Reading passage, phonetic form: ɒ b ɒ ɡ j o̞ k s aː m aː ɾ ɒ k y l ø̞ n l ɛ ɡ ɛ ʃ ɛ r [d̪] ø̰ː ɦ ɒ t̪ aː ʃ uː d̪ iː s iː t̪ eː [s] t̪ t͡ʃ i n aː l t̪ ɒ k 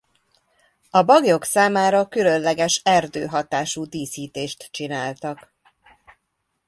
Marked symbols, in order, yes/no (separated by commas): yes, no